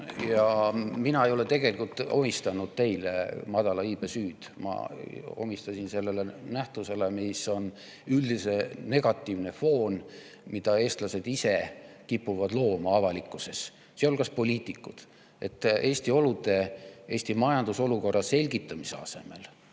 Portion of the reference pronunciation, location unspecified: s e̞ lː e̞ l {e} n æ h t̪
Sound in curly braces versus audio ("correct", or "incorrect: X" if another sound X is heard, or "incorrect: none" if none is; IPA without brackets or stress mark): correct